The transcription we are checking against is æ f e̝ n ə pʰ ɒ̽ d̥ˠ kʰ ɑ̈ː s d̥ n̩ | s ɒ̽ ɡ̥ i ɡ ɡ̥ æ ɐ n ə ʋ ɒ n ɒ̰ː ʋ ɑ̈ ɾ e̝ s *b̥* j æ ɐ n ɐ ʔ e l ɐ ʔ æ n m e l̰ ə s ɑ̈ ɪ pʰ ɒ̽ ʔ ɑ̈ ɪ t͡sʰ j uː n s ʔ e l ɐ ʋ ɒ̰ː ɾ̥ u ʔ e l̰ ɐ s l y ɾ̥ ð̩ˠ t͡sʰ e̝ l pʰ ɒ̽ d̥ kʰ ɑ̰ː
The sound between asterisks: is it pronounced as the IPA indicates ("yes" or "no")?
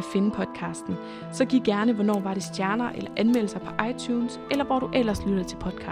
no